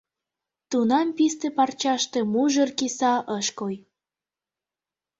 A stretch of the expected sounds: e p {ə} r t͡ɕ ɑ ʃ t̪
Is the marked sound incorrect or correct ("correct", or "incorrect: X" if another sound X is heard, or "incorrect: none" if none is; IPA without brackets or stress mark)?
incorrect: ɑ